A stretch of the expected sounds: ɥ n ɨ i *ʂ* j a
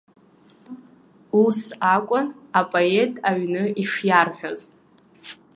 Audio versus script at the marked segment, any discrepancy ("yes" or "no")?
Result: no